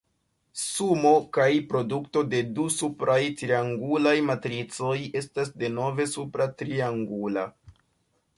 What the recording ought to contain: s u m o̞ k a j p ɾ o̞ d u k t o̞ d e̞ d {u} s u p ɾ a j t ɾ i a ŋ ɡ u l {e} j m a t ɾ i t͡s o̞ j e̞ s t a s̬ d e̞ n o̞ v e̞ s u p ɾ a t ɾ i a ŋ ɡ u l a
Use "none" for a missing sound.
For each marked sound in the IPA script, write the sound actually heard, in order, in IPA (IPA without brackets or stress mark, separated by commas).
u, a